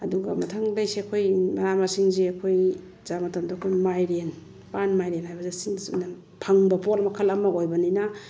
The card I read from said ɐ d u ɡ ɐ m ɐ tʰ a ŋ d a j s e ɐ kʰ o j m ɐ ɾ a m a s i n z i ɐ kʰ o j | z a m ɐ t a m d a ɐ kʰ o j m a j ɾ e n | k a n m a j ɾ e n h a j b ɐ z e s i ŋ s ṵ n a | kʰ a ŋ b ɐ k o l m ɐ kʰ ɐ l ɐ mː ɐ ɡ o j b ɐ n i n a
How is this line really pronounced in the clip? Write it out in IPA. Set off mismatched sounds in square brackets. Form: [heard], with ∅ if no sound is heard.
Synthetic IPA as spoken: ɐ d u ɡ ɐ m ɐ tʰ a ŋ d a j s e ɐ kʰ o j m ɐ ɾ a m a s i [ŋ] z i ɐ kʰ o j | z a m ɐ t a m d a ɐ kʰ o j m a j ɾ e n | [p] a n m a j ɾ e n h a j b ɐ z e s i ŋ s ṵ n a | [pʰ] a ŋ b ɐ [p] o l m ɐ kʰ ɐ l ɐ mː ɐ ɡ o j b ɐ n i n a

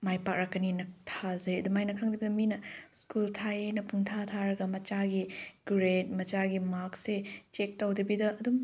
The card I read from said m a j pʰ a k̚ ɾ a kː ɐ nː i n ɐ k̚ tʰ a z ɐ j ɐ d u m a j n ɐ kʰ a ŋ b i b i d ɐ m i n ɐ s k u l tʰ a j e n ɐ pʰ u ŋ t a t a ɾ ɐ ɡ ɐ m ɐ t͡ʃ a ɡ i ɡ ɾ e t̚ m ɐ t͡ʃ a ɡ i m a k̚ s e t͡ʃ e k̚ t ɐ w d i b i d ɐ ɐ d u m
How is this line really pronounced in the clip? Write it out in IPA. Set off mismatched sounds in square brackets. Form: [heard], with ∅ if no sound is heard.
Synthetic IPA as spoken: m a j [p] a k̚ ɾ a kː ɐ [n] i n ɐ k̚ tʰ a z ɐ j ɐ d u m a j n ɐ kʰ a ŋ [d] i b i d ɐ m i n ɐ s k u l tʰ a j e n ɐ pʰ u ŋ [tʰ] a [tʰ] a ɾ ɐ ɡ ɐ m ɐ t͡ʃ a ɡ i ɡ ɾ e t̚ m ɐ t͡ʃ a ɡ i m a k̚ s e t͡ʃ e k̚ t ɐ w d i b i d ɐ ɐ d u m

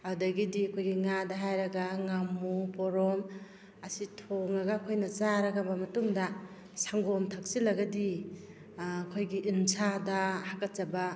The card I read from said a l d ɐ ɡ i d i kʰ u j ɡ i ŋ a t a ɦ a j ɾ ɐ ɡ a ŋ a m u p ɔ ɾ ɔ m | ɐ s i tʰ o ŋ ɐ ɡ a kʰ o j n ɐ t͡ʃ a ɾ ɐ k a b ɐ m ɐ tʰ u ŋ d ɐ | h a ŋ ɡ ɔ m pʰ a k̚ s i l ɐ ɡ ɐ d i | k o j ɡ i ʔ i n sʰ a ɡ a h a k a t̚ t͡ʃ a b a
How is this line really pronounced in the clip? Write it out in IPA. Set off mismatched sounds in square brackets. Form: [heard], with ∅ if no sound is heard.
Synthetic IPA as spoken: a [∅] d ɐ ɡ i d i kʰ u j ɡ i ŋ a [d] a ɦ a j ɾ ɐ ɡ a ŋ a m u p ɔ ɾ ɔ m | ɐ s i tʰ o ŋ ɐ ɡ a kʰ o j n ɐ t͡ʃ a ɾ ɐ [ɡ] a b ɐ m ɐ [t] u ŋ d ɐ | [s] a ŋ ɡ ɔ m [tʰ] a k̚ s i l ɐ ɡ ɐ d i | [kʰ] o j ɡ i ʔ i n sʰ a [d] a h a k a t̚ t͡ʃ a b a

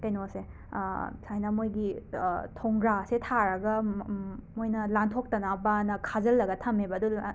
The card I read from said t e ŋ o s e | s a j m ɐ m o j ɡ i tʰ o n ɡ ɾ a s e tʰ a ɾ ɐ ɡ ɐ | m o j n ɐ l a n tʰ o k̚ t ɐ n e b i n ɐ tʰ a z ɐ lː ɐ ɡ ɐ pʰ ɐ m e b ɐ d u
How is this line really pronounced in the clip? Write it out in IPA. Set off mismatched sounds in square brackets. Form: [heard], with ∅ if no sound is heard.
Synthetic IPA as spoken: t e [n] o s e | s a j [n] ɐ m o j ɡ i tʰ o [ŋ] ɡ ɾ a s e tʰ a ɾ ɐ ɡ ɐ | m o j n ɐ l a n tʰ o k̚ t ɐ n [a] b [a] n ɐ [kʰ] a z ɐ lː ɐ ɡ ɐ [tʰ] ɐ m e b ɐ d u

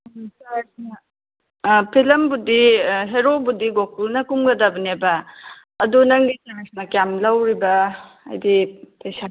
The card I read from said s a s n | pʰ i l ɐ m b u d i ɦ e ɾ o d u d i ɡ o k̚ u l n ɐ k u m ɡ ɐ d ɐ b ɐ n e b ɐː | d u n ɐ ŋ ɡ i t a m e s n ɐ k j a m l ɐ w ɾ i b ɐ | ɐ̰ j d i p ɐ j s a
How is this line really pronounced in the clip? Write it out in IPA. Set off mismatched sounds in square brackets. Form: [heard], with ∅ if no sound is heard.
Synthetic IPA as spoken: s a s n | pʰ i l ɐ m b u d i ɦ e ɾ o [b] u d i ɡ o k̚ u l n ɐ k u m ɡ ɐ d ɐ b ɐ n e b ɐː | d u n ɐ ŋ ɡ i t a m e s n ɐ k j a m l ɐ w ɾ i b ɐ | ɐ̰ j d i p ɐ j s a

